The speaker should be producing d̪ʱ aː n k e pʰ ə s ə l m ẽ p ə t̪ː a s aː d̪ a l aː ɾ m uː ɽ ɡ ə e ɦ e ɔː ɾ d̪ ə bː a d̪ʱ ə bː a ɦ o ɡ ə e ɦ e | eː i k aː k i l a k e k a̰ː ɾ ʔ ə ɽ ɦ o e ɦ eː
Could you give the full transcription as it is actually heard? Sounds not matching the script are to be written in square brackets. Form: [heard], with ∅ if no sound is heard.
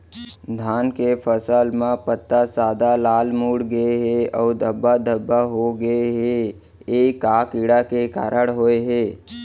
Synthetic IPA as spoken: d̪ʱ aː n k e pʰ ə s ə l m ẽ p ə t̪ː a s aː d̪ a l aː [l] m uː ɽ ɡ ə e ɦ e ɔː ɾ d̪ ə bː a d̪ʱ ə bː a ɦ o ɡ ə e ɦ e | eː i k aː k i [ɽ] a k e k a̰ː ɾ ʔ ə ɽ ɦ o e ɦ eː